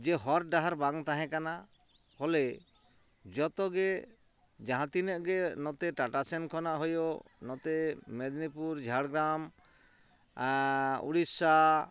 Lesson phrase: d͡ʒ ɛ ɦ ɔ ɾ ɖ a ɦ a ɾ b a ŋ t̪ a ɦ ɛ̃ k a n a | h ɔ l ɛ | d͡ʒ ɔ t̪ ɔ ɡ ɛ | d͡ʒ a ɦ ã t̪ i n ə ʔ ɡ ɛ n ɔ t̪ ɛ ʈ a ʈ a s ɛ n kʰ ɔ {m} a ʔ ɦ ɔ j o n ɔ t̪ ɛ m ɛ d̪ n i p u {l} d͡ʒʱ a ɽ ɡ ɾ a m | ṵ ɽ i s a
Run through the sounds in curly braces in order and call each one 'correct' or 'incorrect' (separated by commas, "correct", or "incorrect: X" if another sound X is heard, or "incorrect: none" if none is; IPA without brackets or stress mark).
incorrect: n, incorrect: ɾ